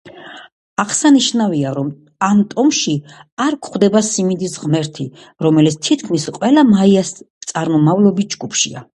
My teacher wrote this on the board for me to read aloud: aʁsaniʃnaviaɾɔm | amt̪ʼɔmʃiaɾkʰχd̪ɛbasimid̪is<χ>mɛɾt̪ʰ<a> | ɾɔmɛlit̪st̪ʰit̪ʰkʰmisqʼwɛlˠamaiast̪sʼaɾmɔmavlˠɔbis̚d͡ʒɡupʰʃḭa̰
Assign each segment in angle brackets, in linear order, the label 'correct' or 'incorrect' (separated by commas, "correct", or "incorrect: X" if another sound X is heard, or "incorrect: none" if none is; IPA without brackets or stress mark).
incorrect: ʁ, incorrect: i